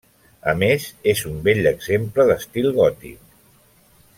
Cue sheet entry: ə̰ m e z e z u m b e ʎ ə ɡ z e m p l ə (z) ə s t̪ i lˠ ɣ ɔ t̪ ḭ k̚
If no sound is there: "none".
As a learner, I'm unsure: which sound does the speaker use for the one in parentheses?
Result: ð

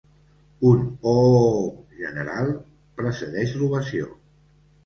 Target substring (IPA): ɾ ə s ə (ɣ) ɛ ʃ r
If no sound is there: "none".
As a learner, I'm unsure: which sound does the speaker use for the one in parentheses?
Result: ð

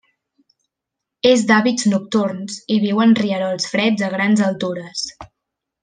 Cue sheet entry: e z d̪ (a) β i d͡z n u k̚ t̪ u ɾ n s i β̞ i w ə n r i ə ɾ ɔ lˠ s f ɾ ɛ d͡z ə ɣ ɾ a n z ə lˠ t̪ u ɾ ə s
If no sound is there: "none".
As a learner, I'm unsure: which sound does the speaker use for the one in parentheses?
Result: a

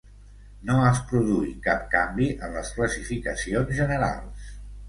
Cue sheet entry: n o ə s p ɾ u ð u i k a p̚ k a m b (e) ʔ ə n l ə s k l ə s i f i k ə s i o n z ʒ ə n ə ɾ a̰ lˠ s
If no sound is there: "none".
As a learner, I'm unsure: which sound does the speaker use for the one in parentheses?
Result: i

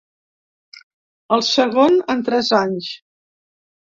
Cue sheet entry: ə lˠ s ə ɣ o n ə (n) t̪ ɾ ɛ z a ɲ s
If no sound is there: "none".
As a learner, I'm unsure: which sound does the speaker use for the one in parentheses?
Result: n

